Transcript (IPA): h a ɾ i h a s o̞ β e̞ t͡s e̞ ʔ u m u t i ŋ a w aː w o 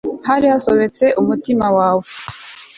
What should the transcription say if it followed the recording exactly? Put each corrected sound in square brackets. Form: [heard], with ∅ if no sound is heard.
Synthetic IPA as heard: h a ɾ i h a s o̞ β e̞ t͡s e̞ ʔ u m u t i [m] a w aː w o